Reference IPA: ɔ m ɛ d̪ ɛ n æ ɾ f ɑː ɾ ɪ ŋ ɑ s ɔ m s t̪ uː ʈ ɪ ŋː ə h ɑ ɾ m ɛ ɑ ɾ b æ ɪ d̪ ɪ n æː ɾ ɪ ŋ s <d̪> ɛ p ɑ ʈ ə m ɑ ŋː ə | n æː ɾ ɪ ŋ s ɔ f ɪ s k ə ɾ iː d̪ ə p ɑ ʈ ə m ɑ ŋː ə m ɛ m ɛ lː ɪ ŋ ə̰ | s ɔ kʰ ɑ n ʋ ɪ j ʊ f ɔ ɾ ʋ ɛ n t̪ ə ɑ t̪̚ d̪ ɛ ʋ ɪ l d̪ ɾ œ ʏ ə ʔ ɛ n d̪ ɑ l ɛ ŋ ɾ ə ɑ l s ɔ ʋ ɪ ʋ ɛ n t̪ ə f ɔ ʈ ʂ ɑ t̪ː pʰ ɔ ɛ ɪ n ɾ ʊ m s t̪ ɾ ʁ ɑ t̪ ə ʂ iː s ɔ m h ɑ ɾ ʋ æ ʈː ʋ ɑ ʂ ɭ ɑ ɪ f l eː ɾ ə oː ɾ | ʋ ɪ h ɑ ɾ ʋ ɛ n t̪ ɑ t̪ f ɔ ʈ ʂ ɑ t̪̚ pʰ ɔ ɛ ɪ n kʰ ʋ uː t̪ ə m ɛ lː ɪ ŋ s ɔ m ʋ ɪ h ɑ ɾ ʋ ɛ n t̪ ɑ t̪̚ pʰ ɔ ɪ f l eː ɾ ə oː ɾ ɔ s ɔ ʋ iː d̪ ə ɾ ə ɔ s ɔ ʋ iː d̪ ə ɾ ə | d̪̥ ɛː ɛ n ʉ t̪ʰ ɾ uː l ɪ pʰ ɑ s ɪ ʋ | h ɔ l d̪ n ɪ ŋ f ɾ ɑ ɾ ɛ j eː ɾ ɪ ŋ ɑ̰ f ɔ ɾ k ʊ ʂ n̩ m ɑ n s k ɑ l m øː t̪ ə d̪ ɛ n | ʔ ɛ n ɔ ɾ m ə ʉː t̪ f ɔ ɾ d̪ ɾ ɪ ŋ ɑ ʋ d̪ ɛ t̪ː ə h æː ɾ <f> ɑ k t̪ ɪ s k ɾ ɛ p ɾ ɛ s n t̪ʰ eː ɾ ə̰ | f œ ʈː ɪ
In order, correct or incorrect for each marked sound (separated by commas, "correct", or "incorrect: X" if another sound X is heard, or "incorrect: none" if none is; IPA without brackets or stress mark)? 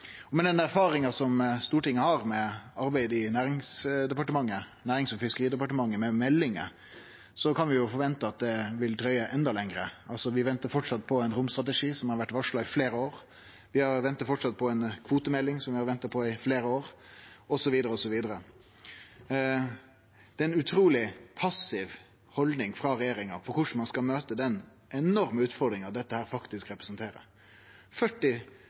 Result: correct, correct